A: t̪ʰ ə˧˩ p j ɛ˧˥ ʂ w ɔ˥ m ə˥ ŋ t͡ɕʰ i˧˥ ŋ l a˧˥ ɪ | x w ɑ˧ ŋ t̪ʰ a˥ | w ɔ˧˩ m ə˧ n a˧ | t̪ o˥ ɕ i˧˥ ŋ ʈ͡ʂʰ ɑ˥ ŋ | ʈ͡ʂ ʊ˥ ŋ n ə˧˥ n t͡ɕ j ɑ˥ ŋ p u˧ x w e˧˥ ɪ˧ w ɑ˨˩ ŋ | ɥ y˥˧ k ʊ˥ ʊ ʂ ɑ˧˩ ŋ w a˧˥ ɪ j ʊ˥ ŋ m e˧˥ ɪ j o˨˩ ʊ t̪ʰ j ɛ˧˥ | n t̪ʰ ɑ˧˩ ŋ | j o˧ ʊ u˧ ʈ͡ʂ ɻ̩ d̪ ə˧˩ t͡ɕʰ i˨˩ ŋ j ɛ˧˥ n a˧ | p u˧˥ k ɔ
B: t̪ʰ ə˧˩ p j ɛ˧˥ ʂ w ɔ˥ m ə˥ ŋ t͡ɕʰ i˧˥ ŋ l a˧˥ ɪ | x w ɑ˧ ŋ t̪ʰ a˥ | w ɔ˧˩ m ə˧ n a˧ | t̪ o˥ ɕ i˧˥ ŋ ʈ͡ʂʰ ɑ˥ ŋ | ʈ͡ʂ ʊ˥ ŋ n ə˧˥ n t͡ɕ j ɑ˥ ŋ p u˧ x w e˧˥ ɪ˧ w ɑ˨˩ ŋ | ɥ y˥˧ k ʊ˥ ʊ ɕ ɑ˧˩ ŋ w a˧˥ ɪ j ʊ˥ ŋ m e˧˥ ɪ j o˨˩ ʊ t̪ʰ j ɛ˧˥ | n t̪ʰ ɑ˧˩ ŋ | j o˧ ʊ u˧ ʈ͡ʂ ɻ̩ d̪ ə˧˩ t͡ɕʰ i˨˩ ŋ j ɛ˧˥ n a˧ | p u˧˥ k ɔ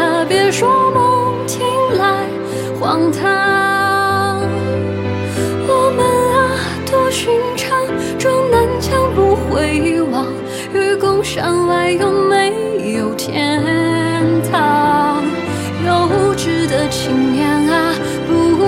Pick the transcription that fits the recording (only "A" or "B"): A